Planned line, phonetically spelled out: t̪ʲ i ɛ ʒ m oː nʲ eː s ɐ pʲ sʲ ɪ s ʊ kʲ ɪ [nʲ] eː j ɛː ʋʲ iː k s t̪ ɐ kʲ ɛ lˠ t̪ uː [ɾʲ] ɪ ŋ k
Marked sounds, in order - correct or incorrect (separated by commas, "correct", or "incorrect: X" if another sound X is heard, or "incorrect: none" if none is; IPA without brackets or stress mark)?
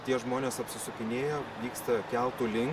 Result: correct, incorrect: lʲ